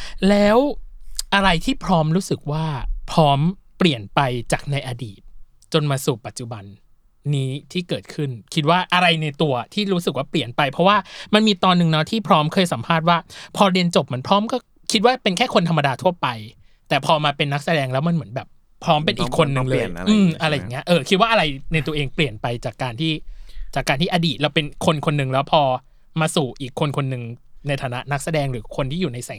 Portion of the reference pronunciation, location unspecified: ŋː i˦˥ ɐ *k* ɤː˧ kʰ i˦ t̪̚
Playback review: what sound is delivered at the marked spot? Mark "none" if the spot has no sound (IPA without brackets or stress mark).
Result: ʔ